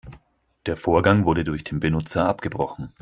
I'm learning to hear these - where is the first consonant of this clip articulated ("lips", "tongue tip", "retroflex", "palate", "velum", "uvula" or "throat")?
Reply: tongue tip